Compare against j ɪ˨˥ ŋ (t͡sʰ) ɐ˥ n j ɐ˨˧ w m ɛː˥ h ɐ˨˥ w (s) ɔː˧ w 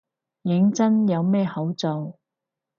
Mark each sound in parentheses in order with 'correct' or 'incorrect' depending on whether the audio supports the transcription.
incorrect: t͡s, incorrect: t͡s

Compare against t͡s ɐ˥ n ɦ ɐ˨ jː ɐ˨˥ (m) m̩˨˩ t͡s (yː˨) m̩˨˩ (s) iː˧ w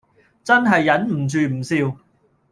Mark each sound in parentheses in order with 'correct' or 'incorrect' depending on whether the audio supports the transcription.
incorrect: n, correct, correct

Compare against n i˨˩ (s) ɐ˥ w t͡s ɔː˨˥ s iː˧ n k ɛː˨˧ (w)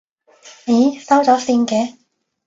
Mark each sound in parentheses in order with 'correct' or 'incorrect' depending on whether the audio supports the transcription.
correct, incorrect: none

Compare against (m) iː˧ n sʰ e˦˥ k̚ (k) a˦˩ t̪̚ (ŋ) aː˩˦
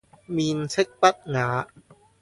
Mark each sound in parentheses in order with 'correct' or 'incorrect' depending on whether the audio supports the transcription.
correct, incorrect: p, correct

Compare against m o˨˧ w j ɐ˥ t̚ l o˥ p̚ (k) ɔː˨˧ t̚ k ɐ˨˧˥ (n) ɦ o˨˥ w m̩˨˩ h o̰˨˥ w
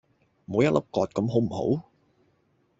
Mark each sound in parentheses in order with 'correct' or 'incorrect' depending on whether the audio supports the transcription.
correct, incorrect: m

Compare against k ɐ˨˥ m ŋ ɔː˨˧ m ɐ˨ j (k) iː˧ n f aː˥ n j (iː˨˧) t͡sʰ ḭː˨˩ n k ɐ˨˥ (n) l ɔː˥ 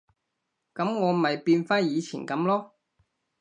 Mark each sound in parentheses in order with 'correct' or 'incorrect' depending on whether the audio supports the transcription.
incorrect: p, correct, incorrect: m

